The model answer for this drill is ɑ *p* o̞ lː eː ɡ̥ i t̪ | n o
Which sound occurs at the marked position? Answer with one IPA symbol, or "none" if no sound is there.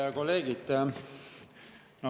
k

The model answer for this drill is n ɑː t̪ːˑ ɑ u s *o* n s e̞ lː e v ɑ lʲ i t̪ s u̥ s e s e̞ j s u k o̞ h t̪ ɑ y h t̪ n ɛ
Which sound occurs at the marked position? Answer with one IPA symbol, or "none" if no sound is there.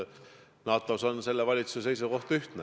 o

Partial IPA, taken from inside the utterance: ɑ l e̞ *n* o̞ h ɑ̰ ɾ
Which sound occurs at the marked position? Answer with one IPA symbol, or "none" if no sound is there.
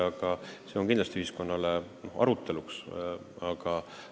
n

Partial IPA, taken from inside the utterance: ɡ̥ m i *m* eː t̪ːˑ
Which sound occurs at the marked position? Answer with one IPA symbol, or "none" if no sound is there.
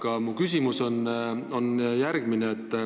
n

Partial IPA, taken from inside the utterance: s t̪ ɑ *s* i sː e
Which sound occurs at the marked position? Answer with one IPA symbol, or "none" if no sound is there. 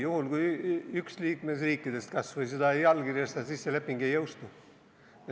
s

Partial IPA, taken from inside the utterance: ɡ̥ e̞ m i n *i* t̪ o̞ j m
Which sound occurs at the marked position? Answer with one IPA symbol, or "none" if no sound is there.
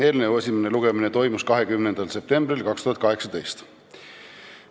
e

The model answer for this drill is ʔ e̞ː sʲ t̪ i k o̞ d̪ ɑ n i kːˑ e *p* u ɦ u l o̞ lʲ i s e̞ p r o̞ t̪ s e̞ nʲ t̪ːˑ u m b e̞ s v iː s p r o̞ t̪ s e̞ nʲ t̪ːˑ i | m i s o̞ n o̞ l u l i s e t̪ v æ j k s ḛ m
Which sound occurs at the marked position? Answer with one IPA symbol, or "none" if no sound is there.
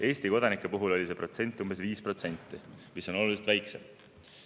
p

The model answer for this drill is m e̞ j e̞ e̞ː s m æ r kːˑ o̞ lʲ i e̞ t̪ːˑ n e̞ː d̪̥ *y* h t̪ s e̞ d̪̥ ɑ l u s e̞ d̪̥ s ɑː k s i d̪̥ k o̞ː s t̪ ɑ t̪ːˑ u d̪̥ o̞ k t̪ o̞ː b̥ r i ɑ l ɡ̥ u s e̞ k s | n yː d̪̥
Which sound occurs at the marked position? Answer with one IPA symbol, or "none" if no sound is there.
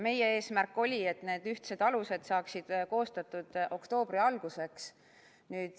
y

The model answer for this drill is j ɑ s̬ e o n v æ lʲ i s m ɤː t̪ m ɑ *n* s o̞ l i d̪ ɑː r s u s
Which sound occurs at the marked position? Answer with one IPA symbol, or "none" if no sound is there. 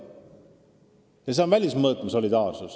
none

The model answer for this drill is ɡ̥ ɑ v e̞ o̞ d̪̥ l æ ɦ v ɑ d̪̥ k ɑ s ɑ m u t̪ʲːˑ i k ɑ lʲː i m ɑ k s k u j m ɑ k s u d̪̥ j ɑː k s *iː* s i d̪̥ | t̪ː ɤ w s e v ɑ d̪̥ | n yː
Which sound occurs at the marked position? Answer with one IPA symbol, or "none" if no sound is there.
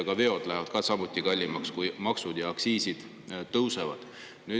iː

